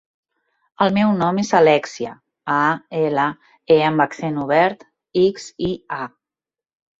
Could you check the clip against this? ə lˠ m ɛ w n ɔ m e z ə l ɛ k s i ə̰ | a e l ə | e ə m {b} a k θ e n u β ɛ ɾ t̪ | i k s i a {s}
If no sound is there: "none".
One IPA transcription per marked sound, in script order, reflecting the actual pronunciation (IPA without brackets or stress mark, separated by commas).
b, none